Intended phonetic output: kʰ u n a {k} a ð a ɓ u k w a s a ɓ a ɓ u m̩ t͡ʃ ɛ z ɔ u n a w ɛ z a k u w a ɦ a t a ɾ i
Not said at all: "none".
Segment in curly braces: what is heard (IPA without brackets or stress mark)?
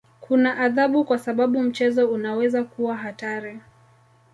ʔ